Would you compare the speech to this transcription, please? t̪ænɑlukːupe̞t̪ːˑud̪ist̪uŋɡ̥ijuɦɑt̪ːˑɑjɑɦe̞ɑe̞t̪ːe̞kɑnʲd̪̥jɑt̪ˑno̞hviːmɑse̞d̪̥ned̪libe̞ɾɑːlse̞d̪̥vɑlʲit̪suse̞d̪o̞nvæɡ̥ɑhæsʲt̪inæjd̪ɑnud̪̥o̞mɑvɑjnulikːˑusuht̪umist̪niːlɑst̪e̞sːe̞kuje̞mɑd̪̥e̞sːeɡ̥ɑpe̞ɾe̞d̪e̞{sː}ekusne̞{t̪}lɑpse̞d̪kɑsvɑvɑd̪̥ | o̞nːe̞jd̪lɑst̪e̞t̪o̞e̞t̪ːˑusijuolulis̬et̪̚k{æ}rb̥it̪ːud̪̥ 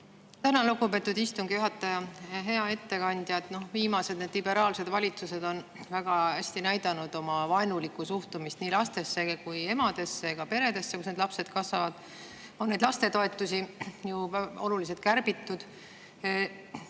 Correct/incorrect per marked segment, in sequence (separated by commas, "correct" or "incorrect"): correct, incorrect, correct